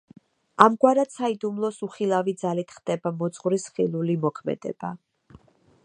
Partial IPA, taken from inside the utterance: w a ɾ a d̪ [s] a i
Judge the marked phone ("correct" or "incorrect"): correct